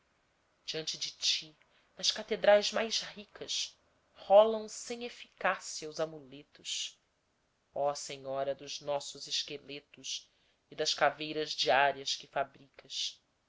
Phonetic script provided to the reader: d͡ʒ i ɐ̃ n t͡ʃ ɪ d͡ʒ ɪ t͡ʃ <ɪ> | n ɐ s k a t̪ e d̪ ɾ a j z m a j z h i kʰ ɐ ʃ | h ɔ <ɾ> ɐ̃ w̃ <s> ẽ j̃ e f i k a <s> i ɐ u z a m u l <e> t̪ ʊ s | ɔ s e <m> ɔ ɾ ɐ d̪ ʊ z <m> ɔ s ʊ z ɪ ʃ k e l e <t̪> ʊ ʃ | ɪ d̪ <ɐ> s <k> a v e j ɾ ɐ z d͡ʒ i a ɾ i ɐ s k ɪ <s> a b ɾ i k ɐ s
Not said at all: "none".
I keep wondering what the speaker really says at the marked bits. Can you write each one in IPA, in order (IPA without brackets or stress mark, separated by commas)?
i, l, s, s, e, ɲ, n, t̪, ɐ, k, f